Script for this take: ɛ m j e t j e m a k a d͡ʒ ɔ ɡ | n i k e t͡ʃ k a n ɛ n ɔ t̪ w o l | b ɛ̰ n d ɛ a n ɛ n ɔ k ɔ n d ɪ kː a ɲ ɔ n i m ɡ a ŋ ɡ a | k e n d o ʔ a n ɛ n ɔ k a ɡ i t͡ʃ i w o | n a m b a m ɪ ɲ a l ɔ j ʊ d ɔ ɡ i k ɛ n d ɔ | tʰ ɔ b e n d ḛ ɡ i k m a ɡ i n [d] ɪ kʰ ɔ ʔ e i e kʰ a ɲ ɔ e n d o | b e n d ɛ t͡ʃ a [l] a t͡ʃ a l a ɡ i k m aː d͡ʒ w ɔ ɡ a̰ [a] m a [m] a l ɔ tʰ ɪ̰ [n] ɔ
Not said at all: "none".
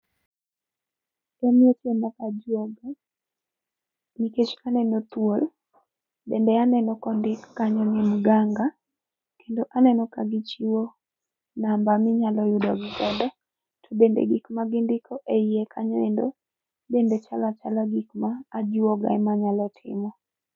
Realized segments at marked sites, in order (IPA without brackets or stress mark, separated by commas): d, l, ɛ, ɲ, m